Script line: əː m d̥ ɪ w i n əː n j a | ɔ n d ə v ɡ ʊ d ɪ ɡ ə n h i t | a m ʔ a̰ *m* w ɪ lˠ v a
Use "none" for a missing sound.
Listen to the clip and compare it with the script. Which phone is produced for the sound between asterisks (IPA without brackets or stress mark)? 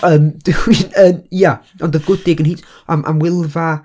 m